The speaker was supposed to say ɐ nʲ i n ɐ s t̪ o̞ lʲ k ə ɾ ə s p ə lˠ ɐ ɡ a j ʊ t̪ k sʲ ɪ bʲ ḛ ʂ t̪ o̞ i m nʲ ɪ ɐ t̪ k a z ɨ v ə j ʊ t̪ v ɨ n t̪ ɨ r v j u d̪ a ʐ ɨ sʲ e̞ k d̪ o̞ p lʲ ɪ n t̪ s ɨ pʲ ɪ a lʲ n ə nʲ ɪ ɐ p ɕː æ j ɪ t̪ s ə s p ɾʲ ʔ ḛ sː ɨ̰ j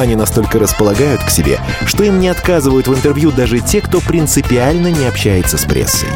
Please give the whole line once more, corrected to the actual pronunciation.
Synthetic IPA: ɐ nʲ i n ɐ s t̪ o̞ lʲ k ə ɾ ə s p ə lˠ ɐ ɡ a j ʊ t̪ k sʲ ɪ bʲ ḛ ʂ t̪ o̞ i m nʲ ɪ ɐ t̪ k a z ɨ v ə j ʊ t̪ v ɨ n t̪ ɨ r v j u d̪ a ʐ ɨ tʲ e̞ k t̪ o̞ p ɾʲ ɪ n t̪ s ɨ pʲ ɪ a lʲ n ə nʲ ɪ ɐ p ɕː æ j ɪ t̪ s ə s p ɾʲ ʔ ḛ sː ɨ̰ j